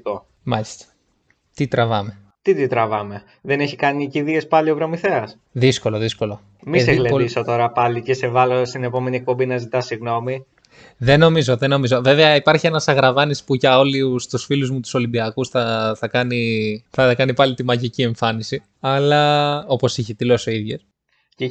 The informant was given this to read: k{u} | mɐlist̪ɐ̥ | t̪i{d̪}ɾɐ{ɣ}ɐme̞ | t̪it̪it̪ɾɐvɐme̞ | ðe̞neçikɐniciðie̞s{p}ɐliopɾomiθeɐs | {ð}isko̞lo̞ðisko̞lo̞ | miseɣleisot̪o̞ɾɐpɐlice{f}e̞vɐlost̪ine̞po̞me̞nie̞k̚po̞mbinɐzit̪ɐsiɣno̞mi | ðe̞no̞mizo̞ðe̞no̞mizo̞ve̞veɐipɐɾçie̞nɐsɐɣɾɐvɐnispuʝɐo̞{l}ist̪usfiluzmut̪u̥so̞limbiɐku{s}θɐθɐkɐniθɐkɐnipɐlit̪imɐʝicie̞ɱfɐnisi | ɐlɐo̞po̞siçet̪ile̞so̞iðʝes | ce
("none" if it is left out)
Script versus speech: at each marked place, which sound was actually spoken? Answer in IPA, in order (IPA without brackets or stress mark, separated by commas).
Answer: o, t̪, v, p, ð, s, l, s